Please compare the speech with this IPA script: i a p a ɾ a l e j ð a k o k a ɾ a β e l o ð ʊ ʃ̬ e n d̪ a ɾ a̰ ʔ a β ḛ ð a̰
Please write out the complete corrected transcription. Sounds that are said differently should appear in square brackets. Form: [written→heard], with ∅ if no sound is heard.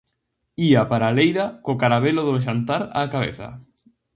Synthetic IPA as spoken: i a p a ɾ a l e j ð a k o k a ɾ a β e l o ð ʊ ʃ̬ [e→a] n [d̪→t̪] a ɾ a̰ [ʔ→k] a β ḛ [ð→θ] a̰